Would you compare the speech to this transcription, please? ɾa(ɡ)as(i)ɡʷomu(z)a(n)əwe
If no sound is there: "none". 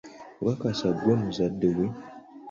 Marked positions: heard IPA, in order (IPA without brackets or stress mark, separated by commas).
k, a, z, d